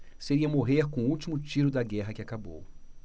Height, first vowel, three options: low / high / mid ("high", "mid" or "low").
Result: mid